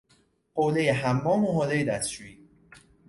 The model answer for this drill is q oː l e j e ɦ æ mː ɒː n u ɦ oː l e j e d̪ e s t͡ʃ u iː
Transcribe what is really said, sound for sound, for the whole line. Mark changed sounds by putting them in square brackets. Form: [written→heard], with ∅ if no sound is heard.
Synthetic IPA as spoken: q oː l e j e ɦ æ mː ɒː [n→m] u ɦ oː l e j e d̪ [e→æ] s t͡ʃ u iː